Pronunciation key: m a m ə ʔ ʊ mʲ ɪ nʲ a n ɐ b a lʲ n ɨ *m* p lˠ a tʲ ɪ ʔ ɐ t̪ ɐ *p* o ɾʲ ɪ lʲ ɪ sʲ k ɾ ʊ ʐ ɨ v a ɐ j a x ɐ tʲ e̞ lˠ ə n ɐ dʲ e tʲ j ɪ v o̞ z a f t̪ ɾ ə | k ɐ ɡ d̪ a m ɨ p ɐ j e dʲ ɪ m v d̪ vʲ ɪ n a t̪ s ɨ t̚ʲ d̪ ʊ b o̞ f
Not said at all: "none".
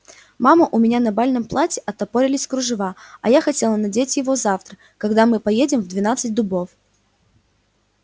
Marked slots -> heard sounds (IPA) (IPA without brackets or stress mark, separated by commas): m, p